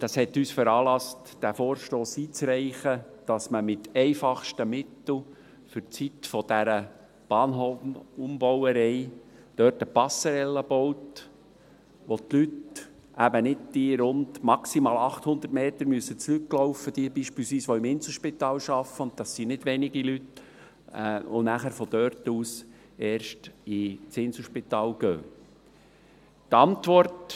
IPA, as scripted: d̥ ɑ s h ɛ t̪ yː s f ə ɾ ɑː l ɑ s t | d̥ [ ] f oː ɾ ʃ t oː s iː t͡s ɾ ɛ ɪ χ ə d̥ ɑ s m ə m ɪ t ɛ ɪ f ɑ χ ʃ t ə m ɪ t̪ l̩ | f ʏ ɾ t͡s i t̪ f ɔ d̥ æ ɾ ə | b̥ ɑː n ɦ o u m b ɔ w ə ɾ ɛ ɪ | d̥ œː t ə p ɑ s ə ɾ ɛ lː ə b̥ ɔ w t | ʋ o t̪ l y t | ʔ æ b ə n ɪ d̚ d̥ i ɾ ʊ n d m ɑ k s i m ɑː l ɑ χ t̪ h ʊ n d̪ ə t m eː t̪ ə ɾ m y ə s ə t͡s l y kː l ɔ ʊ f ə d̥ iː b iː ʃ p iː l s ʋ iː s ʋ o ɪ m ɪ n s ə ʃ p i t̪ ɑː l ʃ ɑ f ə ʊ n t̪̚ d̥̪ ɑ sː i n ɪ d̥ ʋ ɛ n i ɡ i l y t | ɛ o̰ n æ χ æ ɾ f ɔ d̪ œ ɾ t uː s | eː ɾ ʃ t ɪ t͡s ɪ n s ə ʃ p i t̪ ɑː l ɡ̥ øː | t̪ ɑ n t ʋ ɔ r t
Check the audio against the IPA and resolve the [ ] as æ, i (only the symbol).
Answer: æ